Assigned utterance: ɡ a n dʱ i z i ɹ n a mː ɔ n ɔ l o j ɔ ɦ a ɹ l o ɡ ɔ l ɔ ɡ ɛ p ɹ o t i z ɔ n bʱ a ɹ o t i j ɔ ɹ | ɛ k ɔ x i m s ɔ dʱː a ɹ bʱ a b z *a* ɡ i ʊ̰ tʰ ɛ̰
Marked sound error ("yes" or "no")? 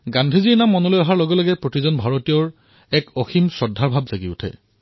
no